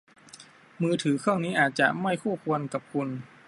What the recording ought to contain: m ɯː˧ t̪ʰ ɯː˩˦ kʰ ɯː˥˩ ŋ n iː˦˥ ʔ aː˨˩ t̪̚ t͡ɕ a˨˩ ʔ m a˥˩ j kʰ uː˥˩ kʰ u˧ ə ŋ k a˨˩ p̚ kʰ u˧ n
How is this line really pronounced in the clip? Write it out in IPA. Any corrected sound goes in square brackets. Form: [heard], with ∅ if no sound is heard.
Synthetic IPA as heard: m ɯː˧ t̪ʰ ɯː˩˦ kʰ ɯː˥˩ ŋ n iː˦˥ ʔ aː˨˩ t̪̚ t͡ɕ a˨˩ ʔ m a˥˩ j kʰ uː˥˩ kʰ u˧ ə [n] k a˨˩ p̚ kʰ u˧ n